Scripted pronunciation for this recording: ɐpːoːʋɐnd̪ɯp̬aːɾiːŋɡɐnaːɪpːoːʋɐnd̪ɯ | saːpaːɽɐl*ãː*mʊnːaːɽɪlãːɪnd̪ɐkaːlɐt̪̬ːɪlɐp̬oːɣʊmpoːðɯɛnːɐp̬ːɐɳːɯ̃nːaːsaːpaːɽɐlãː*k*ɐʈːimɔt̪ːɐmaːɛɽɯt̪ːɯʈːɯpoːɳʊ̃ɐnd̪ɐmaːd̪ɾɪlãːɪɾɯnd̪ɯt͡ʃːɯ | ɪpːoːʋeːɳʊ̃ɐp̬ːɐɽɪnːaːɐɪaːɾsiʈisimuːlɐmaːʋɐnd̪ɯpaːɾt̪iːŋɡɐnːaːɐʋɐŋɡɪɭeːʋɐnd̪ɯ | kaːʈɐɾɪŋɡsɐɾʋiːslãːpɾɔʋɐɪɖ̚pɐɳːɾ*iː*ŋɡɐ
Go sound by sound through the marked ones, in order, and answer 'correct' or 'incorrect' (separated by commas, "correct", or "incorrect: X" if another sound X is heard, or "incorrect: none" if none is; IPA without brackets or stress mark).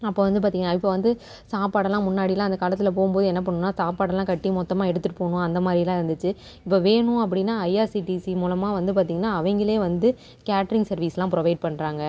correct, correct, incorrect: aː